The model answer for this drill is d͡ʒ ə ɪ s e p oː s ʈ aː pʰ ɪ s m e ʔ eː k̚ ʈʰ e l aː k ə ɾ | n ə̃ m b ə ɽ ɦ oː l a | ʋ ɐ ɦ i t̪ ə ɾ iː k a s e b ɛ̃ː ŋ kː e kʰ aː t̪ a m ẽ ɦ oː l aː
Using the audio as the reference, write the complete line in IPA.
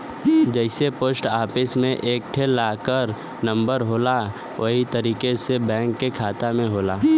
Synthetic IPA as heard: d͡ʒ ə ɪ s e p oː s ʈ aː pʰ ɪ s m ẽ ʔ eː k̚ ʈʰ e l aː k ə ɾ | n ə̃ m b ə ɾ ɦ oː l a | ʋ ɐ ɦ i t̪ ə ɾ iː k e s e b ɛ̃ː ŋ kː e kʰ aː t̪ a m ẽ ɦ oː l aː